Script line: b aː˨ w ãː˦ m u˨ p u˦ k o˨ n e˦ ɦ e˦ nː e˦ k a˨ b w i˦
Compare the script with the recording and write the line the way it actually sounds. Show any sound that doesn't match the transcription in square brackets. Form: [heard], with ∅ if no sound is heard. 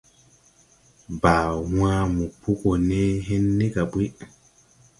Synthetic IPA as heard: b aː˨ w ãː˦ m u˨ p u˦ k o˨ n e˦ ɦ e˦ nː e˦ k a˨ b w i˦